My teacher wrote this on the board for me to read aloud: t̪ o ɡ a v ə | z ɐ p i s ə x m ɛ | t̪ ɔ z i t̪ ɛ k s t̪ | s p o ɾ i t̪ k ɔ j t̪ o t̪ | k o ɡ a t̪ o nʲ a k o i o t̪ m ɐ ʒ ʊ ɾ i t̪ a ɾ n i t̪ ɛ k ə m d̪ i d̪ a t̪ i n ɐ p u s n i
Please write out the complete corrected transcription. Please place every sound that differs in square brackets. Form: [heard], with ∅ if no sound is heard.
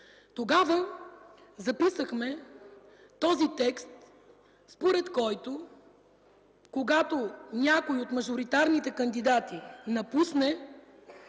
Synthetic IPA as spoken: t̪ o ɡ a v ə | z ɐ p i s ə x m ɛ | t̪ ɔ z i t̪ ɛ k s t̪ | s p o ɾ [ɛ] t̪ k ɔ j t̪ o [∅] | k o ɡ a t̪ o nʲ a k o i o t̪ m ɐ ʒ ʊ ɾ i t̪ a ɾ n i t̪ ɛ k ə [n] d̪ i d̪ a t̪ i n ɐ p u s n [ɛ]